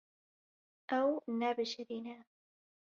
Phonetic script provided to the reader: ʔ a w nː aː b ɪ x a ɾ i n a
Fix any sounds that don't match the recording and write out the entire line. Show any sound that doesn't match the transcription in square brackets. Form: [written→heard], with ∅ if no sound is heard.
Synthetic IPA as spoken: ʔ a w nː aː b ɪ [x→ʃ] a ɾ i n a